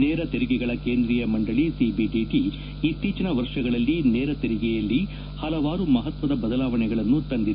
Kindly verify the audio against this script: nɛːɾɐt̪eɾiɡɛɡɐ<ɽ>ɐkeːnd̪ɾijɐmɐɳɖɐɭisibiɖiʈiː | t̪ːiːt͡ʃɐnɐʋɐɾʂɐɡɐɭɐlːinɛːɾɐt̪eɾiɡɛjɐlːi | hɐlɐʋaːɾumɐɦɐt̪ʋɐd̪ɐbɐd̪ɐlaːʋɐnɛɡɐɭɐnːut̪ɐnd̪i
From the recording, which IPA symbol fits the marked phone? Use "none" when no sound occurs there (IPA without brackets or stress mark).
ɭ